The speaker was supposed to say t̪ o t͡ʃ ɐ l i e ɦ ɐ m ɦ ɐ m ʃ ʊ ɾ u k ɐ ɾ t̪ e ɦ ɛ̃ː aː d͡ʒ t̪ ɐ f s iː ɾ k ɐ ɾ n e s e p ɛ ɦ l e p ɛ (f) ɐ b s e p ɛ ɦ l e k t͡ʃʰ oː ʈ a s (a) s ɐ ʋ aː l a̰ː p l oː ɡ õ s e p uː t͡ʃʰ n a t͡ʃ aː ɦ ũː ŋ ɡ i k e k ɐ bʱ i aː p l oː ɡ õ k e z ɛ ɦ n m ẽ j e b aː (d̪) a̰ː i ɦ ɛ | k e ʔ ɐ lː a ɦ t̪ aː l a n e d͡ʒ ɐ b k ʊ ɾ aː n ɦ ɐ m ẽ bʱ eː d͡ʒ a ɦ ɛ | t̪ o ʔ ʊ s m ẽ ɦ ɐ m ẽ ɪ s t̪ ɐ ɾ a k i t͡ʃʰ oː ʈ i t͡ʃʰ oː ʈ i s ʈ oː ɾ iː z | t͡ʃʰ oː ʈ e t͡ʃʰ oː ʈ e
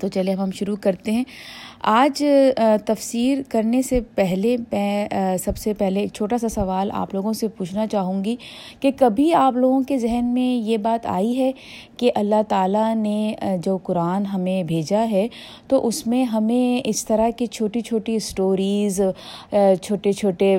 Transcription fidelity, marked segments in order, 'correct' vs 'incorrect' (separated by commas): incorrect, correct, incorrect